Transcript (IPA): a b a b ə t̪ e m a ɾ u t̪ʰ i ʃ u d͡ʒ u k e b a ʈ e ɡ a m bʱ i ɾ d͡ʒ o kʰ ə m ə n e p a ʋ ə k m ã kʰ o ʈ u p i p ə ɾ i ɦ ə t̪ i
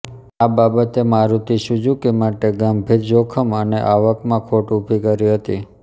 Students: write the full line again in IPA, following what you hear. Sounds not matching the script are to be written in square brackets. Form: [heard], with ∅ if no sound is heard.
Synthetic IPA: a b a b ə t̪ e m a ɾ u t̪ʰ i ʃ u d͡ʒ u k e [m] a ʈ e ɡ a m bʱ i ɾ d͡ʒ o kʰ ə m ə n e [ʔ] a ʋ ə k m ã kʰ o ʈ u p i [k] ə ɾ i ɦ ə t̪ i